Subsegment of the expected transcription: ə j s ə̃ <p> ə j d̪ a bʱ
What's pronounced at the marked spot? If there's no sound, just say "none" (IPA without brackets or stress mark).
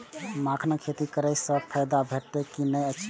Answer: pʰ